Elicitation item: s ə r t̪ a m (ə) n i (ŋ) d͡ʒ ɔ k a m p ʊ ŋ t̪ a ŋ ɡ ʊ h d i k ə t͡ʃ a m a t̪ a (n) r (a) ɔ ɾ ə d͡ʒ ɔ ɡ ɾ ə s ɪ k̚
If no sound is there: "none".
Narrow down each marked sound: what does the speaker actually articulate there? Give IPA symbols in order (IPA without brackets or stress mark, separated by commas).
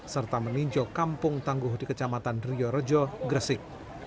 ə, ɲ, n, i